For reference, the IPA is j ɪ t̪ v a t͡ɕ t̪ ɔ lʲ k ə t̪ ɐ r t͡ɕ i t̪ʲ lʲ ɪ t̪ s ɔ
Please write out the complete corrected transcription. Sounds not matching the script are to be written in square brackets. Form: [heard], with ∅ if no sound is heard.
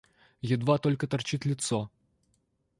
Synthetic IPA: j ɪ [d̪] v a [∅] t̪ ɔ lʲ k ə t̪ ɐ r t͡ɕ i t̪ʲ lʲ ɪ t̪ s ɔ